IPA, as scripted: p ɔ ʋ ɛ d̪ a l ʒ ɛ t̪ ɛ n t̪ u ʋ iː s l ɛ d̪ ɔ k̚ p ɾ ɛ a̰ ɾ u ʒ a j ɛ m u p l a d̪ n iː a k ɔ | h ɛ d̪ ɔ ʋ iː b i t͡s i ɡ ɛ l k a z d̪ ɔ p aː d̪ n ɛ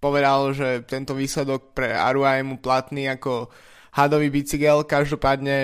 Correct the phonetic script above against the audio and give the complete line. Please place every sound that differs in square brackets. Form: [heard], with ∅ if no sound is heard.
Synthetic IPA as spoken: p ɔ ʋ ɛ d̪ a l ʒ ɛ t̪ ɛ n t̪ [ɔ] ʋ iː s l ɛ d̪ ɔ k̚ p ɾ ɛ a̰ ɾ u [∅] a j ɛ m u p l a [t̪] n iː a k ɔ | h [a] d̪ ɔ ʋ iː b i t͡s i ɡ ɛ l k a [ʒ] d̪ ɔ p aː d̪ [ɲ] ɛ